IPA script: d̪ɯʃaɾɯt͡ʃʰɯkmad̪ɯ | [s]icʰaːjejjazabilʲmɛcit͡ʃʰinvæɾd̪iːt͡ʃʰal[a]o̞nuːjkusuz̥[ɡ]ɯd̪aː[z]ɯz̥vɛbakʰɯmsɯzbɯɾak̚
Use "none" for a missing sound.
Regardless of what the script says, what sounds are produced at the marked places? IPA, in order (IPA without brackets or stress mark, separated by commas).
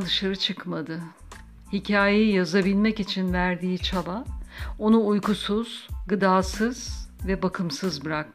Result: h, a, ɡ, s